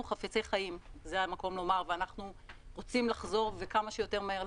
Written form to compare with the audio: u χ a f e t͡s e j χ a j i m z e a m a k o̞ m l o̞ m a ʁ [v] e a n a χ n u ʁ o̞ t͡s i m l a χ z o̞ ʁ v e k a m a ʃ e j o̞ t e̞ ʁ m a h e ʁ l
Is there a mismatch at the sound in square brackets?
no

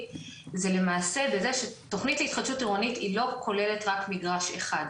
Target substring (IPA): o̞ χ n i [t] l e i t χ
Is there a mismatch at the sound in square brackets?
no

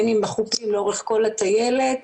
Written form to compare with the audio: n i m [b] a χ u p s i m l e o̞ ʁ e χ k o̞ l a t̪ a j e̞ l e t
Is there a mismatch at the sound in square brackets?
no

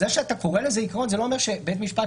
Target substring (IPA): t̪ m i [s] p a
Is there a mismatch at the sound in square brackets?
yes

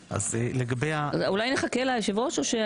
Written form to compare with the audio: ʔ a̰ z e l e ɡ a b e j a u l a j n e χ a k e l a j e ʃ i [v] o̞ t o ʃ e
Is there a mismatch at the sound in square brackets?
no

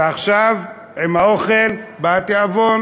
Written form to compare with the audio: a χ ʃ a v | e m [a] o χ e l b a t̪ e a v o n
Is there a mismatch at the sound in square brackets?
no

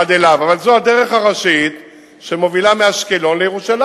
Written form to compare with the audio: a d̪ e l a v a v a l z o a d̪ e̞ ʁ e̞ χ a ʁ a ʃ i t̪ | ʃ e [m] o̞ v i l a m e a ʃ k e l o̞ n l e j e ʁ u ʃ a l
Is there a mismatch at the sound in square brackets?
no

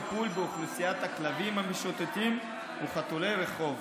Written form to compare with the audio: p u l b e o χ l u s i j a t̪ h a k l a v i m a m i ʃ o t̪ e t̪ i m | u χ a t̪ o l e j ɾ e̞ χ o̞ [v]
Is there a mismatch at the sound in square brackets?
no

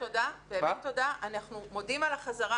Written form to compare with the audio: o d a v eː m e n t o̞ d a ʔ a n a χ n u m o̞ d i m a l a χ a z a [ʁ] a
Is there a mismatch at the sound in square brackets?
no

